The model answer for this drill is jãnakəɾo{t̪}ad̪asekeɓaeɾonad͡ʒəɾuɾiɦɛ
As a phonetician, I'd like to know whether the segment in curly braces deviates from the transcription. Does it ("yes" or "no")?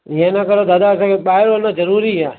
yes